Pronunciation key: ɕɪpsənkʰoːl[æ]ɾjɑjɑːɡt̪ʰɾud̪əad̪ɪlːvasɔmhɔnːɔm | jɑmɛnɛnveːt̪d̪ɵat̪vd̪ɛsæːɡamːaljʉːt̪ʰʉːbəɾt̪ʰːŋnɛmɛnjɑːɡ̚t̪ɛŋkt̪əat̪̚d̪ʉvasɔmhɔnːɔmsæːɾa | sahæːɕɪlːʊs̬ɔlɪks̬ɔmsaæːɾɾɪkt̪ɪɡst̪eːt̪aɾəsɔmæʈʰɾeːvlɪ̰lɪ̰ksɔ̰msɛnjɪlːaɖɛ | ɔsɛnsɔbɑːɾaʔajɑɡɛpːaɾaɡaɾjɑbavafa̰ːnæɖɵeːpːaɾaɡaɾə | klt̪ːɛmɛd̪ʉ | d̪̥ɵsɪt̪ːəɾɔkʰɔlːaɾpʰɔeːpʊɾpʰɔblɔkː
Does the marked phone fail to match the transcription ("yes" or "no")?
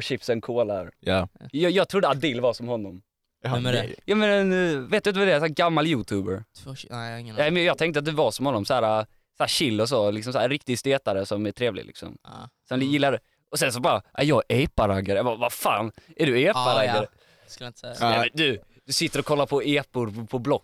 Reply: yes